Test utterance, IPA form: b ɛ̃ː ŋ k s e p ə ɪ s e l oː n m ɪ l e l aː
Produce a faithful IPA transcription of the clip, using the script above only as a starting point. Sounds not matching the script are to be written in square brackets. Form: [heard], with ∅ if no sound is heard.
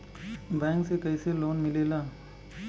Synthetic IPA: b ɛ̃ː ŋ k s e [k] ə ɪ s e l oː n m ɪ l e l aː